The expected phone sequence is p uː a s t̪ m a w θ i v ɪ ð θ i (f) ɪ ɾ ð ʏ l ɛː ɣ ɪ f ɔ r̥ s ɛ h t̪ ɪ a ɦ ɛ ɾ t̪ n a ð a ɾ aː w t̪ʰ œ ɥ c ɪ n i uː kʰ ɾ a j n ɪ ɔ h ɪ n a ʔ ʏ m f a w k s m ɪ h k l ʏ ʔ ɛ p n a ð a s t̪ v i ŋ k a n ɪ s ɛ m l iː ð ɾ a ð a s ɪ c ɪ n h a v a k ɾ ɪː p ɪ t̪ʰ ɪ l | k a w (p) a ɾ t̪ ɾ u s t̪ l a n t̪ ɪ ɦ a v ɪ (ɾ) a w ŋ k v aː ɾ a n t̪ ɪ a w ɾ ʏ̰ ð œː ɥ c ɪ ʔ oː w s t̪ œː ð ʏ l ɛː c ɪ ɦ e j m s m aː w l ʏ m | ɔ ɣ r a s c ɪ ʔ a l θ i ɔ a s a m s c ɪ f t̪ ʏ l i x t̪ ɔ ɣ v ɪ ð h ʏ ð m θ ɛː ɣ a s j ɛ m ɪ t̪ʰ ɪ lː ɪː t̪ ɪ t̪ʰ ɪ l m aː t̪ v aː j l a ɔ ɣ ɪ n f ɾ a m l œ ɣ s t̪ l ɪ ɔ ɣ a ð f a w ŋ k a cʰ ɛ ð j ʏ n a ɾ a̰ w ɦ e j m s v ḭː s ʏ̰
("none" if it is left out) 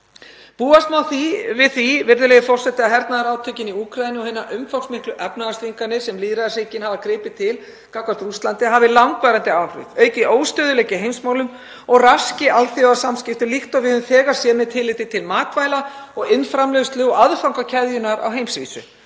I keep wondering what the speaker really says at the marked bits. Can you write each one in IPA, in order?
v, k, l

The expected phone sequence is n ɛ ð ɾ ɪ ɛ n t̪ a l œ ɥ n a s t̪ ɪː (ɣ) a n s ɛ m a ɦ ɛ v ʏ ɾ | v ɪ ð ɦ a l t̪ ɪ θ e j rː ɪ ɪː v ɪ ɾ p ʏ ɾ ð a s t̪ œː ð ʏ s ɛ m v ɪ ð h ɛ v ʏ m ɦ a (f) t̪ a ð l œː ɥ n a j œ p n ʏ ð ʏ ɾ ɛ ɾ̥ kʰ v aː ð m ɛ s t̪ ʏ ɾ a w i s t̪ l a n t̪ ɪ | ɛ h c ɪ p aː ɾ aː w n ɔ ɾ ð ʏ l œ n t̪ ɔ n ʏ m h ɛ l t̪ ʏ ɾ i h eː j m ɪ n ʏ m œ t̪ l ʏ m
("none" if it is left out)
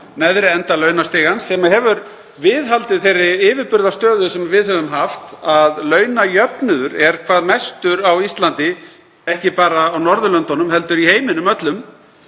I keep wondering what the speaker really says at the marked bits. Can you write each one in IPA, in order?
ɣ, f

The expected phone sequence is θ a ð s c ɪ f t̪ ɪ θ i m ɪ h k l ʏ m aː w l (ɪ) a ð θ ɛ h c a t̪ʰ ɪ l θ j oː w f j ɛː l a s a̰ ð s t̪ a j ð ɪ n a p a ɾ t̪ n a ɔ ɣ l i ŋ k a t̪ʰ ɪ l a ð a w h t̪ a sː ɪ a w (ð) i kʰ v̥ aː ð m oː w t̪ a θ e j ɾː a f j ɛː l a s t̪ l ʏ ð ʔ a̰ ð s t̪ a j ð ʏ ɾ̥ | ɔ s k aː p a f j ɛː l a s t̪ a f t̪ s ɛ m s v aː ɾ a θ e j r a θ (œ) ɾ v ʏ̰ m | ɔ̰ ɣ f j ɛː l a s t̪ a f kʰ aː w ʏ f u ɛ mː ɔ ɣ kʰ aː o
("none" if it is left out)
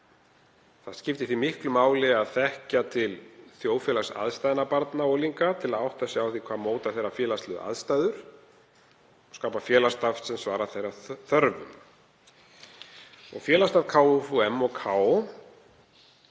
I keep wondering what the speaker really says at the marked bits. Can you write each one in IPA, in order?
ɪ, θ, œ

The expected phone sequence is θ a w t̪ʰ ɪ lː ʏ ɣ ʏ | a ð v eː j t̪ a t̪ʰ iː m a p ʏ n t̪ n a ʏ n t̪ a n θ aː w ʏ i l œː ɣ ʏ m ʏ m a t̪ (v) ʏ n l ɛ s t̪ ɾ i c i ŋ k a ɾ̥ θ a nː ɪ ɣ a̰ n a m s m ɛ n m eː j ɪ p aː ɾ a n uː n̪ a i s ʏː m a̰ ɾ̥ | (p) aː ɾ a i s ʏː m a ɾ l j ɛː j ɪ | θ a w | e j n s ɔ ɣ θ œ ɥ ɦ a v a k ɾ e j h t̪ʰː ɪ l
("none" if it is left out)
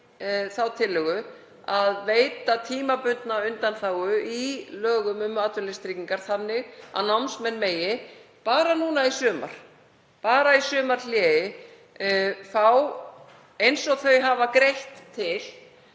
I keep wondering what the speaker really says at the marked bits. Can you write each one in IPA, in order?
v, p

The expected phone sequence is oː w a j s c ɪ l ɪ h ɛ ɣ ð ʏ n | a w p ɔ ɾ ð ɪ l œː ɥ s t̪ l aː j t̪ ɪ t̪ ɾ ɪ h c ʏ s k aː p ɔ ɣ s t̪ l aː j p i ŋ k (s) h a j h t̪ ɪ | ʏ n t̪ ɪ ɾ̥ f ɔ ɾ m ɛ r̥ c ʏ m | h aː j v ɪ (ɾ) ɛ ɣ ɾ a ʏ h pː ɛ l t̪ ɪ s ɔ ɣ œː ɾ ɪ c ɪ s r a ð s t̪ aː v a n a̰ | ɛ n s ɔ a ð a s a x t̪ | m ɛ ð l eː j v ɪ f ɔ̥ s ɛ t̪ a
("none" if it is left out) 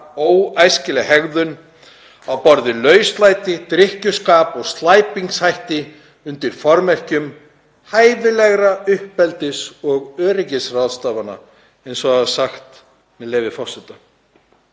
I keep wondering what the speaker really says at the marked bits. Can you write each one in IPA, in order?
s, l

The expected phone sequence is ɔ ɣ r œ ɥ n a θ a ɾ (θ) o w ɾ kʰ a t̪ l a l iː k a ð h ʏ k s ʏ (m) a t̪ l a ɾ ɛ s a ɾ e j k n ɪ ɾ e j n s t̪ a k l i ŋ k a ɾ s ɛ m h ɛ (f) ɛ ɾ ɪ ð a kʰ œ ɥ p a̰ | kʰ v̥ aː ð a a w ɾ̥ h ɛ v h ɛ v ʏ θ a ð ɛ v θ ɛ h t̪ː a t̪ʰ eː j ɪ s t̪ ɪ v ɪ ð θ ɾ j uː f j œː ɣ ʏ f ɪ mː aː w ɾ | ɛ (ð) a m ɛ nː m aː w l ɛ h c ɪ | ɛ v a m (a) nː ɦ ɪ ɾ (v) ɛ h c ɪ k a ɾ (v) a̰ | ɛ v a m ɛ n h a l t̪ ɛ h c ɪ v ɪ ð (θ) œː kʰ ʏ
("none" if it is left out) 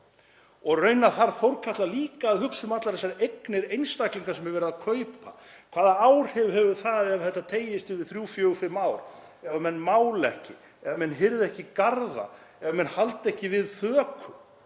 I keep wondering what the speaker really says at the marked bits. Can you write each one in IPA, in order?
θ, m, v, v, ɛ, ð, ð, θ

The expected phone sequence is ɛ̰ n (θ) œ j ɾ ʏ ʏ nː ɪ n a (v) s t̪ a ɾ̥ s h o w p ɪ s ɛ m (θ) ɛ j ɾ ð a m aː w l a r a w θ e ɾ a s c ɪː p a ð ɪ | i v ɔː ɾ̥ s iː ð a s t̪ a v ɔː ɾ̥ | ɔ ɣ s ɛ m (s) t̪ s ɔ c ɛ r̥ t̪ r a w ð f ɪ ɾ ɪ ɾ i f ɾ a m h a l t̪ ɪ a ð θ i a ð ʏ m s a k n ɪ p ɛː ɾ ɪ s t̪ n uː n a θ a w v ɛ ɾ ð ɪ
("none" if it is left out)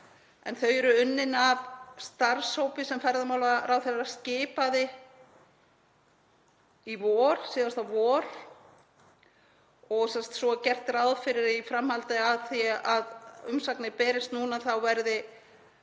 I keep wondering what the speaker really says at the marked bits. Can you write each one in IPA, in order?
θ, v, f, s

